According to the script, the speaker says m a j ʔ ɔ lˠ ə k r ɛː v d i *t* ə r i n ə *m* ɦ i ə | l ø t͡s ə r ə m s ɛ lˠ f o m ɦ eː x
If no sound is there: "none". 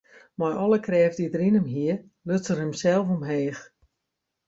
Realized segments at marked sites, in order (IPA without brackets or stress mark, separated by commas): d, m